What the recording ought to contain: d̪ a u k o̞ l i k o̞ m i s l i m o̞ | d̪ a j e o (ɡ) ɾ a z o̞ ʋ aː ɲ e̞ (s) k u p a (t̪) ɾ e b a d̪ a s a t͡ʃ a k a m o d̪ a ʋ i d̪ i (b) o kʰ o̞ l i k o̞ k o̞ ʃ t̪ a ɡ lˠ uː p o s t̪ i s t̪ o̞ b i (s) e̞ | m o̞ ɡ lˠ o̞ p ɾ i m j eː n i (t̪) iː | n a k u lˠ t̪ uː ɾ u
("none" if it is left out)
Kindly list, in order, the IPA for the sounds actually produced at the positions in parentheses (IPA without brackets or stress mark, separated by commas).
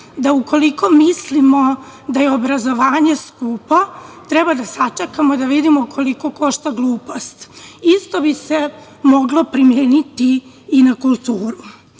b, s, t̪, m, s, t̪